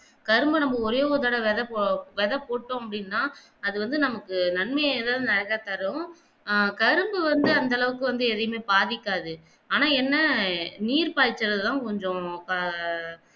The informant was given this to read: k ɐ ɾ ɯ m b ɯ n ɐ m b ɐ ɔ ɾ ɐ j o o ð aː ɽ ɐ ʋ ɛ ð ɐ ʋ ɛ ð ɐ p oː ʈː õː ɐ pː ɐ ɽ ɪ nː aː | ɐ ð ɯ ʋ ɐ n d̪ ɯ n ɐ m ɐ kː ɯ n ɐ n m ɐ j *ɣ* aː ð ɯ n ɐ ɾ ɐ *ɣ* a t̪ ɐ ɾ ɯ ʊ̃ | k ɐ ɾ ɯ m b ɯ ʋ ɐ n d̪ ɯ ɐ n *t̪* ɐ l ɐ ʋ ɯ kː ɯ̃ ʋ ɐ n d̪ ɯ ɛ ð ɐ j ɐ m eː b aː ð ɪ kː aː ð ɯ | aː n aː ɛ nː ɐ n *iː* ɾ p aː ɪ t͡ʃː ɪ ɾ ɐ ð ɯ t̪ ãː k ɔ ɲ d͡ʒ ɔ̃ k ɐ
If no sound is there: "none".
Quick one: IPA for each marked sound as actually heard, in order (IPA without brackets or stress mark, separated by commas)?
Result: ð, ɣ, d̪, iː